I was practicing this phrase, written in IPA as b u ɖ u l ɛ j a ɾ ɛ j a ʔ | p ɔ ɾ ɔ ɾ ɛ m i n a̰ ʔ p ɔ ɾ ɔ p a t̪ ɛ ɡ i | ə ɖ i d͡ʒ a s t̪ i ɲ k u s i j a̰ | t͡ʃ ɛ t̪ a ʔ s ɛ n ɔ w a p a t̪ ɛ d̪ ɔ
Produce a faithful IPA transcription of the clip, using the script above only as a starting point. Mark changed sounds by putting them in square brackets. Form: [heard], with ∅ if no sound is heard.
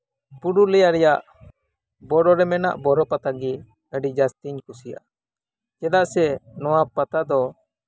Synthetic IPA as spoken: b u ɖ u l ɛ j a ɾ ɛ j a ʔ | [b] ɔ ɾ ɔ ɾ ɛ m [ɛ] n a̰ ʔ [b] ɔ ɾ ɔ p a t̪ [a] ɡ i | ə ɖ i d͡ʒ a s t̪ i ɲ k u s i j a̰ | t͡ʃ ɛ [d̪] a ʔ s ɛ n ɔ w a p a t̪ [a] d̪ ɔ